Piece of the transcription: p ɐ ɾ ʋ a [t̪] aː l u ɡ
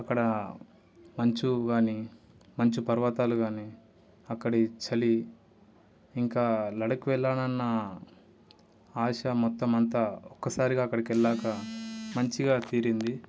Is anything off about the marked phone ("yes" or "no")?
no